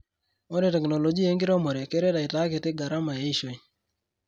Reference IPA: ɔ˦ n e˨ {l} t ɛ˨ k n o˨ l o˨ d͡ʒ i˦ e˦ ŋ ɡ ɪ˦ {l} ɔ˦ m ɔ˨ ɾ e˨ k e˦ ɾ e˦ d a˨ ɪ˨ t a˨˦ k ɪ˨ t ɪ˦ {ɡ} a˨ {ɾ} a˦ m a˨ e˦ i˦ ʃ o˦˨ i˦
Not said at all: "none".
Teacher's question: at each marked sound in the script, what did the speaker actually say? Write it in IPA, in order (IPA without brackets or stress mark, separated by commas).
none, ɾ, ɡ, ɾ